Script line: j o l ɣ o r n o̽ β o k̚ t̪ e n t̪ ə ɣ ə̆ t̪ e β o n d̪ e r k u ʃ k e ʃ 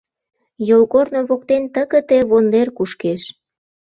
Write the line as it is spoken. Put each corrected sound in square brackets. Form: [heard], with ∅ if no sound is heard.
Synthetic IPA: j o l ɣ o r n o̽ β o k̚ t̪ e n t̪ ə ɣ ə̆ t̪ e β o n d̪ e r k u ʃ k e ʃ